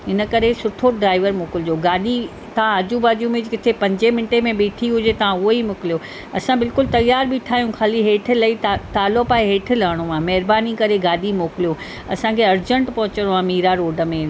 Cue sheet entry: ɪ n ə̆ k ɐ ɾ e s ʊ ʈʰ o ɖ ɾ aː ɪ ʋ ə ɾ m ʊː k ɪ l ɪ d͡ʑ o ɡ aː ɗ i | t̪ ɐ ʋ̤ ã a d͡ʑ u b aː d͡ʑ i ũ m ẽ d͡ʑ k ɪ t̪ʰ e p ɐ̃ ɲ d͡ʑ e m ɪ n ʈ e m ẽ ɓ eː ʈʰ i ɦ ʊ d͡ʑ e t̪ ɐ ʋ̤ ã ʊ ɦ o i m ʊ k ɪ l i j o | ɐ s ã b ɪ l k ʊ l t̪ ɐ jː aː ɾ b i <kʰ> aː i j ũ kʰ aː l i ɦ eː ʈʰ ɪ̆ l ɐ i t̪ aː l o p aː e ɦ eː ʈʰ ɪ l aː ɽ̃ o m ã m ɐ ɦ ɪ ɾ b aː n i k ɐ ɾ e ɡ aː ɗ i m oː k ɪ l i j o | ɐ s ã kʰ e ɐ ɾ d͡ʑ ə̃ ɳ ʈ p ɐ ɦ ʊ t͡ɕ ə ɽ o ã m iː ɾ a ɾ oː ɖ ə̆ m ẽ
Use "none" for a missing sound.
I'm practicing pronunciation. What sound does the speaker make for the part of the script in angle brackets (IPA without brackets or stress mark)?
ʈʰ